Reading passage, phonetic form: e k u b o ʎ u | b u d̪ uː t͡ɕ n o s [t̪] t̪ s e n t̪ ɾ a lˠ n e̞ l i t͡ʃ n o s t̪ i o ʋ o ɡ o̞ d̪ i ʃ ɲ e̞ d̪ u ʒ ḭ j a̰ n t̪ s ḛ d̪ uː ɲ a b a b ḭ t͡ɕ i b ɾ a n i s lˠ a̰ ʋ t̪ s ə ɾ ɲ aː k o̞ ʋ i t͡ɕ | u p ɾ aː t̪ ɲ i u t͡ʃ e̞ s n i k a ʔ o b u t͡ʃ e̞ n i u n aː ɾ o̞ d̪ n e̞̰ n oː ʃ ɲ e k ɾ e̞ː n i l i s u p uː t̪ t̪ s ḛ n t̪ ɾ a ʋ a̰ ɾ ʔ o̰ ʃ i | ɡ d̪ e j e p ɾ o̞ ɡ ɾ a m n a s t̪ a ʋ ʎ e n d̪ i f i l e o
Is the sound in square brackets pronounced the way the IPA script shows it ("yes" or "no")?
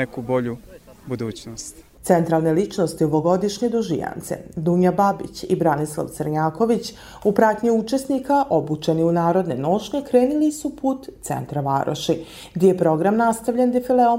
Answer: yes